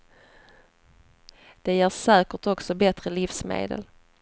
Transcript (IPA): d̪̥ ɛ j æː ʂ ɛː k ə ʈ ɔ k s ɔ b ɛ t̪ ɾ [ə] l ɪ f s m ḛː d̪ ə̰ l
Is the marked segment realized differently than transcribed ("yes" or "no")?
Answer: no